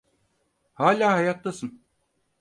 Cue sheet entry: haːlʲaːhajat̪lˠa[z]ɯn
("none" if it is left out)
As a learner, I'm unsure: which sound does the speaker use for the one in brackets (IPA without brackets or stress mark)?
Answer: s